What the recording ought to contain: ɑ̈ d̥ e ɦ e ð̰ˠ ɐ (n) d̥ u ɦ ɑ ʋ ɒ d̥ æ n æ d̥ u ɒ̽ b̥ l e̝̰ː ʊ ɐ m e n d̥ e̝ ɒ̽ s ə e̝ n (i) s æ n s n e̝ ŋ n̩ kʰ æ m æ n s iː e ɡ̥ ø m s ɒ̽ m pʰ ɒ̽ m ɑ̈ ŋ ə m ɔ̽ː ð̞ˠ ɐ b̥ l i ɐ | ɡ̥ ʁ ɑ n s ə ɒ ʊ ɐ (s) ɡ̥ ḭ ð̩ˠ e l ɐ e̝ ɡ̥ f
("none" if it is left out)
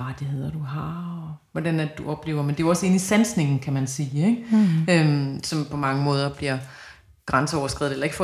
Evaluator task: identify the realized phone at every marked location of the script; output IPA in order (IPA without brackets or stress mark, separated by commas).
none, i, s